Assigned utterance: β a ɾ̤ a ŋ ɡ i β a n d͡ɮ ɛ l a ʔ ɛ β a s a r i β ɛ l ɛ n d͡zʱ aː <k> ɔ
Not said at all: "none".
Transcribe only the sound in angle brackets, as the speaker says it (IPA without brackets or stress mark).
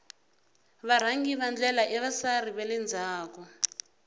k